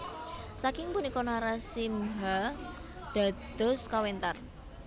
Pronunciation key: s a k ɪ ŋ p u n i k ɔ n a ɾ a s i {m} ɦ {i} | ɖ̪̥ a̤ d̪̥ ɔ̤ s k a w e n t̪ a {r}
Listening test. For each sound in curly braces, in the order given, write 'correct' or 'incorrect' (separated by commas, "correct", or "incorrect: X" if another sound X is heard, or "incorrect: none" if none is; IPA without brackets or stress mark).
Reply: correct, incorrect: a, correct